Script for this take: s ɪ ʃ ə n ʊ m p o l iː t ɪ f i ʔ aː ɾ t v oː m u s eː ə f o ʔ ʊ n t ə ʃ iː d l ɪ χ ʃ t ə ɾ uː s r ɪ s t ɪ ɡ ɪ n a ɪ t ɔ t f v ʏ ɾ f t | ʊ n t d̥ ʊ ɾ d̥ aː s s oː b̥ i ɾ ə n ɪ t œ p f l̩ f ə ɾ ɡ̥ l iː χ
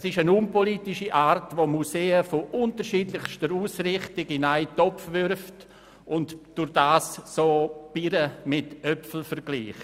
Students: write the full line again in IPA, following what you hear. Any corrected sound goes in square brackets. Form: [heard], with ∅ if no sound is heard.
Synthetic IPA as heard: s ɪ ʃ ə n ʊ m p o l iː t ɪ [ʃ] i ʔ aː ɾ t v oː m u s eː ə f o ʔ ʊ n t ə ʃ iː d l ɪ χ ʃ t ə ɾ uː s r ɪ [χ] t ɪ ɡ ɪ n a ɪ t ɔ [p] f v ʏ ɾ f t | ʊ n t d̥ ʊ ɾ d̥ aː s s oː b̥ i ɾ ə [m] ɪ t œ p f l̩ f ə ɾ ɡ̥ l iː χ